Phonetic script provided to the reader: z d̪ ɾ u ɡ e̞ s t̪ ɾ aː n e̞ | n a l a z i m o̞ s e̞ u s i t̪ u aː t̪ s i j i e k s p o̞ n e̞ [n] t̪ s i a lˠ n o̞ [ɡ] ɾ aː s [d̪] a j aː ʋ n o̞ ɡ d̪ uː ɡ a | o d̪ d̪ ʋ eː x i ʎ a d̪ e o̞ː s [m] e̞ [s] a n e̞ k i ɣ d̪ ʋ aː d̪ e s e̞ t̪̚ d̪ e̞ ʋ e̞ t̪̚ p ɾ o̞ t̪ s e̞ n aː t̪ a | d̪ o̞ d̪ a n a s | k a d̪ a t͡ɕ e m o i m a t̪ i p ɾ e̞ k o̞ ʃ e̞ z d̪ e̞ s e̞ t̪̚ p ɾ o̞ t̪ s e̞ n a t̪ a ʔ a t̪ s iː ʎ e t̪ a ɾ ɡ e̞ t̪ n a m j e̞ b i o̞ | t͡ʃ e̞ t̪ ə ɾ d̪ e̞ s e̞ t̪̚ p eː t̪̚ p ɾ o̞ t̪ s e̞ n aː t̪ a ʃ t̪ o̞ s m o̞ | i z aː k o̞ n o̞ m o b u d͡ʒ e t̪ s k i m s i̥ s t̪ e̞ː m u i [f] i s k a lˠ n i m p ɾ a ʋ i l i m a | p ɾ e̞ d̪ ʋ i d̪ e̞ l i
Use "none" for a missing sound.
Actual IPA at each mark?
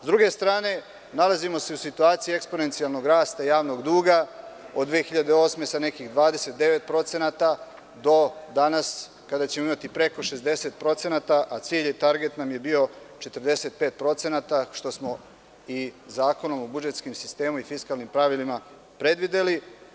n, ɡ, t̪, m, s, f

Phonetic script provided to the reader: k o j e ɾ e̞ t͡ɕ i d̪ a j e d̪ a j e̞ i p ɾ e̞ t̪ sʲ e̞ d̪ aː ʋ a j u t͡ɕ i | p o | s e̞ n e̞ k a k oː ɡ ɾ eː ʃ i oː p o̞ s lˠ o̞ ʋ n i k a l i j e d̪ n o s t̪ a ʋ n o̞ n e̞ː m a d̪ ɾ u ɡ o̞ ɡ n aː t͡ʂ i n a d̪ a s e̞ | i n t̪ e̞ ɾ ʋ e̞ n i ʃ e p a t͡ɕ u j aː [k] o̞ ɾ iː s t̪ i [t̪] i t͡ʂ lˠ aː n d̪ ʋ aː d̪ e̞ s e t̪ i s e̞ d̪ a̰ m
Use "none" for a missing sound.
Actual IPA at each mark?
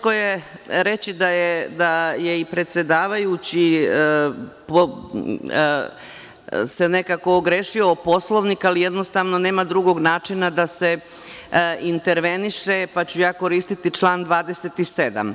k, t̪

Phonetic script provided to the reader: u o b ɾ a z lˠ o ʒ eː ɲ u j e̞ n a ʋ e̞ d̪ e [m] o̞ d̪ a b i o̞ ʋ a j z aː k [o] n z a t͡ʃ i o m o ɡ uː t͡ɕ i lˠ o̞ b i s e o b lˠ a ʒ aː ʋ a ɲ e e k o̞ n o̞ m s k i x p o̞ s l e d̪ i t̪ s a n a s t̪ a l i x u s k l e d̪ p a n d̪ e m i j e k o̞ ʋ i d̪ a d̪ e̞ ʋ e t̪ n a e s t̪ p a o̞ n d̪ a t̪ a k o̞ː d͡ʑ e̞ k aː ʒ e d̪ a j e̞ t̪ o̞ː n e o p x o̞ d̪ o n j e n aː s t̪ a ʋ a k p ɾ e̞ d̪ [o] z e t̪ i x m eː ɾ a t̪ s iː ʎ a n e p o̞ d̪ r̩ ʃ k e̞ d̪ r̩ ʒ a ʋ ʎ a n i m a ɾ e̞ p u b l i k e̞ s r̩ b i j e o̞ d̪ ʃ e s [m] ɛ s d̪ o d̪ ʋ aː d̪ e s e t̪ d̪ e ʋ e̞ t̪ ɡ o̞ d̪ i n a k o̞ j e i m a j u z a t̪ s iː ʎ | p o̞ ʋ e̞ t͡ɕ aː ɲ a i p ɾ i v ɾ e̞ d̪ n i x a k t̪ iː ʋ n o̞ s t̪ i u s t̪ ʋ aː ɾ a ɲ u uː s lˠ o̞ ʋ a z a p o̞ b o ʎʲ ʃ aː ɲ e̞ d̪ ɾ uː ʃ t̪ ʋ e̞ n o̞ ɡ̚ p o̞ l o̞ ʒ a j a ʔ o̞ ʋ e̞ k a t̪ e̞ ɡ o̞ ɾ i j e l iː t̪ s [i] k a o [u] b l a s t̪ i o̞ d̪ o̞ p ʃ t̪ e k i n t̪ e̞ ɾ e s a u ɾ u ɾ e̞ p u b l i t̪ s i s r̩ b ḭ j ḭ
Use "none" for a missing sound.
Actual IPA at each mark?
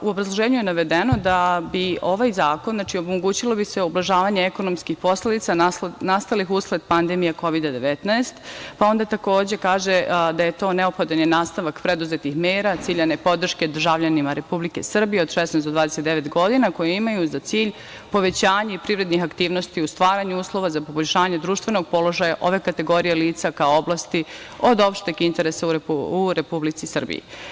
n, o, u, n, a, o

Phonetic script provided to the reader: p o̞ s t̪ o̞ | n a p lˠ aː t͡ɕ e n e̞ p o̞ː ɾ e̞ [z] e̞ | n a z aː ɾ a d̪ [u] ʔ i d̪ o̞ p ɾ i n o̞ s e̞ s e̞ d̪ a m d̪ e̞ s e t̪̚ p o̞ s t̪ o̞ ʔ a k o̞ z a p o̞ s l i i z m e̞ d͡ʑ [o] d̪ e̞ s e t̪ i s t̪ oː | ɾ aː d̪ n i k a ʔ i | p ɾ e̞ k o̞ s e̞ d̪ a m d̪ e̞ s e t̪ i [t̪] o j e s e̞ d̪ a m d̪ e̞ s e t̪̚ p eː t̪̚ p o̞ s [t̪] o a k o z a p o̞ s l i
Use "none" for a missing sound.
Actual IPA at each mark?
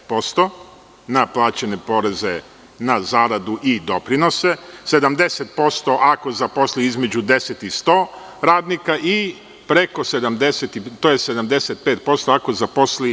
z, u, u, t̪, t̪

